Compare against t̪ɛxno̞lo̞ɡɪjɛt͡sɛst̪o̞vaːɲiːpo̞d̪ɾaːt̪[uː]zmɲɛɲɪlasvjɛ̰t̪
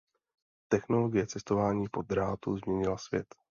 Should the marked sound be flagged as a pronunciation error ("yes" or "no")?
yes